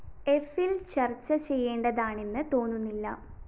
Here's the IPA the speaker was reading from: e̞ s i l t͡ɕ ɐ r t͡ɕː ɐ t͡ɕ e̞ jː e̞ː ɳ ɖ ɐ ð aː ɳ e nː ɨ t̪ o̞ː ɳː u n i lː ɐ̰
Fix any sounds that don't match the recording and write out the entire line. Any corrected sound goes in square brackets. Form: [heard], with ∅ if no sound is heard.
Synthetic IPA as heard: e̞ [f] i l t͡ɕ ɐ r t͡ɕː ɐ t͡ɕ e̞ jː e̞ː ɳ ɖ ɐ ð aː ɳ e nː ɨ t̪ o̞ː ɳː u [nː] i lː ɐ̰